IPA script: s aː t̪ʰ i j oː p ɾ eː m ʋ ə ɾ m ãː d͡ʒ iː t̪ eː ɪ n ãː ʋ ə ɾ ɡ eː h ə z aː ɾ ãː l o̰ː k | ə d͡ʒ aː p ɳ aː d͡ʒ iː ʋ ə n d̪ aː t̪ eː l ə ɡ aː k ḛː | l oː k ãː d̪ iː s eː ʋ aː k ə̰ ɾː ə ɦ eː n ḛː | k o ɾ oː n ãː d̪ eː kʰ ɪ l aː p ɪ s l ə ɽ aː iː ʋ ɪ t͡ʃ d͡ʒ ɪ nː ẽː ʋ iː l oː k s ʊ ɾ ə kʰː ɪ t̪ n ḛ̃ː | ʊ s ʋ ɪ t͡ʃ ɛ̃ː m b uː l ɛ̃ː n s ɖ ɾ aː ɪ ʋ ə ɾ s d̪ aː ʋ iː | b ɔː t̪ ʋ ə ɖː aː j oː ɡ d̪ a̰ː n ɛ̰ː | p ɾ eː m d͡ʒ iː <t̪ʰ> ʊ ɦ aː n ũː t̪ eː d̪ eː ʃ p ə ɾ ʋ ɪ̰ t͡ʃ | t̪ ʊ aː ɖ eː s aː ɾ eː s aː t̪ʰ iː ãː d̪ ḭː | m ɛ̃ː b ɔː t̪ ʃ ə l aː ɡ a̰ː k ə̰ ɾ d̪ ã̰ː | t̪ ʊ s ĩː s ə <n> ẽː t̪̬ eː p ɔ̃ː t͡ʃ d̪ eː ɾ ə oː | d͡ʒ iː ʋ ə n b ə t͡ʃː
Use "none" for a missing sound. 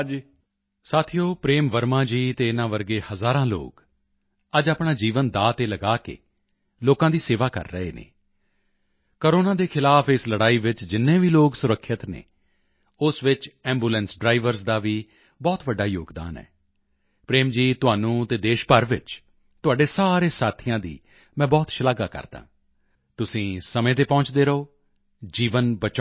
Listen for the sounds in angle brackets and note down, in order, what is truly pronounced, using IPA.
t̪, m

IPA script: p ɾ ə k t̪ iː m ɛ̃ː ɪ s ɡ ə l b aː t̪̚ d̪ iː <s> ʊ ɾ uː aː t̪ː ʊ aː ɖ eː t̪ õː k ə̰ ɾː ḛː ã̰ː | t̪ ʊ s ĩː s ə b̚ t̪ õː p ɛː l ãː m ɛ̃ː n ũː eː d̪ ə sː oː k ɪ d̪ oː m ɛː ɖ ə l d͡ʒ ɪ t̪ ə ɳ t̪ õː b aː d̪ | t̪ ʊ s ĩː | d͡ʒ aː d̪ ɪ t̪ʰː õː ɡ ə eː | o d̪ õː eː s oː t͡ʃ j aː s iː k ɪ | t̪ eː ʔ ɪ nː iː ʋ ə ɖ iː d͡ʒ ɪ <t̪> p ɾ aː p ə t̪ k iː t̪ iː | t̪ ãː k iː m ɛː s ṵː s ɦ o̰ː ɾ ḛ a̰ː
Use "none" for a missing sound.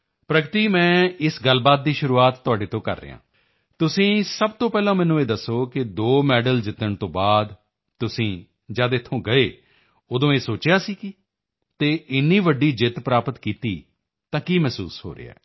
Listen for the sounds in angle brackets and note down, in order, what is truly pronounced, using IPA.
ʃ, t̪

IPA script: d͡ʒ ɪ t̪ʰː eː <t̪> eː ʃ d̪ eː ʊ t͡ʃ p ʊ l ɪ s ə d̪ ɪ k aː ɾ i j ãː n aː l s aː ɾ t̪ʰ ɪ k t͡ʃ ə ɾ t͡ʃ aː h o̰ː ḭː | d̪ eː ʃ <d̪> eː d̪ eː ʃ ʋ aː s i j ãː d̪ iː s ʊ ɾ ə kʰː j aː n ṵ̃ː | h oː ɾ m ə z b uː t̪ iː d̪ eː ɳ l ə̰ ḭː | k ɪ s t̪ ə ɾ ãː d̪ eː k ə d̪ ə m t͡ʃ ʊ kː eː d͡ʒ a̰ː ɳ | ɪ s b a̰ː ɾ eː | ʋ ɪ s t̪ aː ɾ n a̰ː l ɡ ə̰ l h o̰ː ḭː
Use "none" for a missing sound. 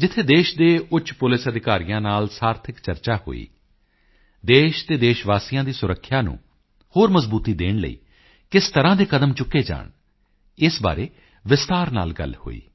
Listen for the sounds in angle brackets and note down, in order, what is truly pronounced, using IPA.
d̪, t̪

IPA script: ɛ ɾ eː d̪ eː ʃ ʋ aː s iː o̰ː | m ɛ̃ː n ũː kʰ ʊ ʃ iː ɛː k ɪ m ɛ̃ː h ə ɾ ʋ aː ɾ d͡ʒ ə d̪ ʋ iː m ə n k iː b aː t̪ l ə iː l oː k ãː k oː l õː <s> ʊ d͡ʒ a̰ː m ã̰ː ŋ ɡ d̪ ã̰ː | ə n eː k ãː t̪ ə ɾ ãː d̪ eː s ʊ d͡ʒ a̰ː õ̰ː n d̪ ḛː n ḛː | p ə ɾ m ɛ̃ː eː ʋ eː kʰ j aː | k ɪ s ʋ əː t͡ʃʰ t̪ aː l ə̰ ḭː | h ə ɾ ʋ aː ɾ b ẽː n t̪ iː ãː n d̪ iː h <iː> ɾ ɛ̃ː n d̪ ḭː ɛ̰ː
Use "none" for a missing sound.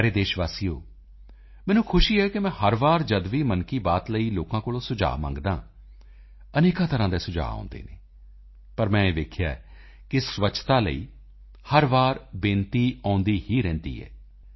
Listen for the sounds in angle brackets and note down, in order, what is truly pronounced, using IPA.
s, iː

